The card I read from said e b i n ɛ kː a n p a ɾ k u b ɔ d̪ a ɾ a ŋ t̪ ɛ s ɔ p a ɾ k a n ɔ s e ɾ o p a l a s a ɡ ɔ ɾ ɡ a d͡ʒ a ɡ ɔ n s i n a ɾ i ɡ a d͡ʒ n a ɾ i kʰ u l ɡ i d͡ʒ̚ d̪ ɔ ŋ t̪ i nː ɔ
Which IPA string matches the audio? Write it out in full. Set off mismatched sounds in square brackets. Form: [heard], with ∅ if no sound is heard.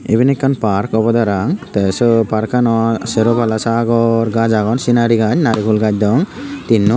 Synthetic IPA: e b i n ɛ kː a n p a ɾ k [ɔ] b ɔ d̪ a ɾ a ŋ t̪ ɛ s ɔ p a ɾ k a n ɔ s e ɾ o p a l a s a ɡ ɔ ɾ ɡ a d͡ʒ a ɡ ɔ n s i n a ɾ i ɡ a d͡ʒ n a ɾ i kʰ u l ɡ [a] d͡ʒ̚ d̪ ɔ ŋ t̪ i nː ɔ